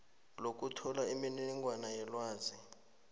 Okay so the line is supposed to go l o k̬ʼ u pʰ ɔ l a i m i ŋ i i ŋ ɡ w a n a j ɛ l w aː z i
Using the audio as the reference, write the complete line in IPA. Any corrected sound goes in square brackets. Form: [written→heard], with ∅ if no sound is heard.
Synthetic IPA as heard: l o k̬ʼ u [pʰ→tʰ] ɔ l a i m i [ŋ→n] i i ŋ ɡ w a n a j ɛ l w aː z i